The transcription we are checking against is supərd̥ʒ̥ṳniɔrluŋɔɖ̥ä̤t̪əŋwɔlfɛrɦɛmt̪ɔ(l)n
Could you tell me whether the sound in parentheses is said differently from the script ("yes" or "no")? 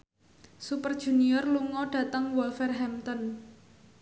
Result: yes